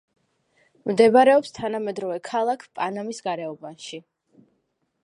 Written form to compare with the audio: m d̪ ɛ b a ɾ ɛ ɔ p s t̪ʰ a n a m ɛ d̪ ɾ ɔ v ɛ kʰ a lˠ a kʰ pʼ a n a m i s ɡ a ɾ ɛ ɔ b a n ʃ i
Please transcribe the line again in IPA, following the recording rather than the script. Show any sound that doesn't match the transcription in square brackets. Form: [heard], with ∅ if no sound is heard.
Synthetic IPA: m d̪ ɛ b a ɾ ɛ ɔ p s t̪ʰ a n a m ɛ d̪ ɾ ɔ v ɛ kʰ a lˠ a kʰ pʼ a n a m i s ɡ a ɾ ɛ ɔ b a n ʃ i